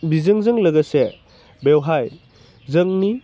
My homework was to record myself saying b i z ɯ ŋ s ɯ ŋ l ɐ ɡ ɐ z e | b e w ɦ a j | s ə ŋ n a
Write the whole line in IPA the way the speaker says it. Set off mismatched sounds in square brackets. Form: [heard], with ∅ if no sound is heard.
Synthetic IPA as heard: b i z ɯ ŋ [z] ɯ ŋ l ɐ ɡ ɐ [s] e | b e w ɦ a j | [z] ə ŋ n [i]